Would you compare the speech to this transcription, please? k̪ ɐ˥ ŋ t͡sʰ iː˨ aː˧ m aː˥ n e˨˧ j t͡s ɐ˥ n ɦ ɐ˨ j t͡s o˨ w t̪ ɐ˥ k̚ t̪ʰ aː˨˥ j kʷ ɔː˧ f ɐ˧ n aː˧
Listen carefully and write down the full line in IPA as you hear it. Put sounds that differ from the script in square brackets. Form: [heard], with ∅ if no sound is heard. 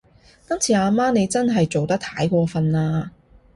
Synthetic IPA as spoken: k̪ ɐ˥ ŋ t͡sʰ iː˨ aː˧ m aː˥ n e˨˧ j t͡s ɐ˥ n ɦ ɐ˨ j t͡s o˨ w t̪ ɐ˥ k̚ t̪ʰ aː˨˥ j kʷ ɔː˧ f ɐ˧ n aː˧